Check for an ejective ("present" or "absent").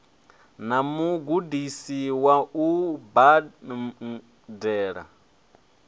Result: absent